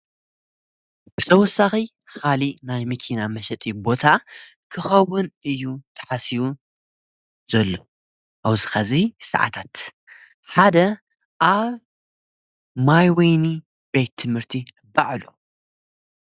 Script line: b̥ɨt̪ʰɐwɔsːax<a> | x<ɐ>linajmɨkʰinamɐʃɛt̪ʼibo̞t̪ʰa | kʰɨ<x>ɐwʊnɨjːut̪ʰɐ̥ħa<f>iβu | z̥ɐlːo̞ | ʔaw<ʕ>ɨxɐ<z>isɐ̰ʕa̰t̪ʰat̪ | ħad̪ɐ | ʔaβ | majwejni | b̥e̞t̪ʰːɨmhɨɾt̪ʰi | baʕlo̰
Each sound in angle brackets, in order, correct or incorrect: incorrect: i, incorrect: a, correct, incorrect: s, incorrect: z, correct

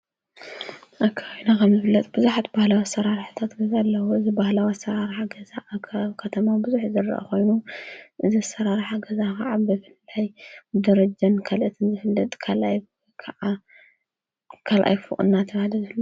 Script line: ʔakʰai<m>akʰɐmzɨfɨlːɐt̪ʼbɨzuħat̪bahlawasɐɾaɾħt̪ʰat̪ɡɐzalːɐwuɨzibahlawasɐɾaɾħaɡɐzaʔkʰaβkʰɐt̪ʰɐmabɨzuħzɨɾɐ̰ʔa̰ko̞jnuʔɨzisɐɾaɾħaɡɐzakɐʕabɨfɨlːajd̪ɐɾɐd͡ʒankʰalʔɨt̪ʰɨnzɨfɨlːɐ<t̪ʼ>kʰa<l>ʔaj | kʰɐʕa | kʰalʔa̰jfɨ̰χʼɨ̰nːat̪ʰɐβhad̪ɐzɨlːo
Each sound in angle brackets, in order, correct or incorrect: incorrect: n, correct, correct

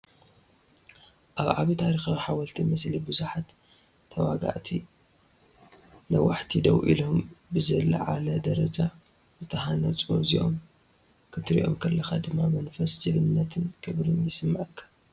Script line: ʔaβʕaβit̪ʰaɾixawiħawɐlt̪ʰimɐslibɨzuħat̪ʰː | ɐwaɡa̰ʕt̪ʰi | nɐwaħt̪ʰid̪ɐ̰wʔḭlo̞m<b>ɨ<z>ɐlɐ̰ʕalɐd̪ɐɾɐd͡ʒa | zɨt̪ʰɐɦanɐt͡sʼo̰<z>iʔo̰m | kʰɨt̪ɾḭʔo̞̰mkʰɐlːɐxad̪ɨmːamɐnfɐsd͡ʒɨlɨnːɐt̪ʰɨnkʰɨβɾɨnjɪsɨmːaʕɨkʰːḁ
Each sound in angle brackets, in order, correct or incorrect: correct, correct, correct

